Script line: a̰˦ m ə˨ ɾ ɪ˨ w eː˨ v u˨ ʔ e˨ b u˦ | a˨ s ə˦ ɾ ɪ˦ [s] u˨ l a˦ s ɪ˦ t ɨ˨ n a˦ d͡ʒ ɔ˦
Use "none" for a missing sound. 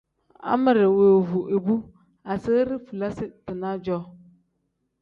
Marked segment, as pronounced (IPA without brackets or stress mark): f